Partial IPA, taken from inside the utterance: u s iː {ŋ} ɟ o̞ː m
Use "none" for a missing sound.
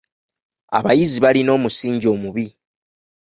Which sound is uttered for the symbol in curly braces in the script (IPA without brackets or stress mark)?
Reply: ɲ